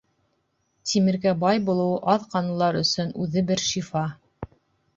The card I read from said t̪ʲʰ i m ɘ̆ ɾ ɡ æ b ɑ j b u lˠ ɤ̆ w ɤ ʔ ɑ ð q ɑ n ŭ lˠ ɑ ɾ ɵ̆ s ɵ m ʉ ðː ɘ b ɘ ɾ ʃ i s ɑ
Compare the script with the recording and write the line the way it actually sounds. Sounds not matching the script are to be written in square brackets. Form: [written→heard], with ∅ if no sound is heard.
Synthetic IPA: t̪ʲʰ i m ɘ̆ ɾ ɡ æ b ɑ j b u lˠ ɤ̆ w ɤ ʔ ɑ ð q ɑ n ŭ lˠ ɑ ɾ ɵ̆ s ɵ [m→n] ʉ [ðː→ð] ɘ b ɘ ɾ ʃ i [s→f] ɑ